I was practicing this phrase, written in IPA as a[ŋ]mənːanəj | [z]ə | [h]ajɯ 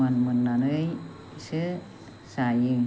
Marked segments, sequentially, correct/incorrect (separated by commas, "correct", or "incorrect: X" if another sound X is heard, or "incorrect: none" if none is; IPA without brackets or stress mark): incorrect: n, incorrect: s, incorrect: s